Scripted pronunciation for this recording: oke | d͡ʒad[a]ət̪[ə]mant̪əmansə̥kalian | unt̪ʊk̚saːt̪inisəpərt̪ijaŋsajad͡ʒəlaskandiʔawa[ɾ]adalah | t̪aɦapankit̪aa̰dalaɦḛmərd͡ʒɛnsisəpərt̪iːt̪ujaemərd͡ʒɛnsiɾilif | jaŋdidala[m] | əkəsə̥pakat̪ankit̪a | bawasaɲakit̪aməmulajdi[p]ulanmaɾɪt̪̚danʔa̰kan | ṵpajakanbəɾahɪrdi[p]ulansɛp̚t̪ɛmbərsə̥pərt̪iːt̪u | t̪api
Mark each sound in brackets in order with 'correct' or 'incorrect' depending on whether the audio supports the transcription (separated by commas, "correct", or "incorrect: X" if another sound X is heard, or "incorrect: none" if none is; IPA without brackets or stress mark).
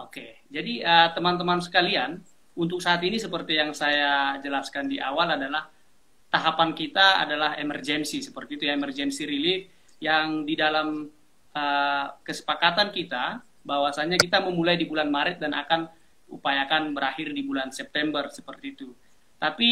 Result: incorrect: i, correct, incorrect: l, correct, incorrect: b, incorrect: b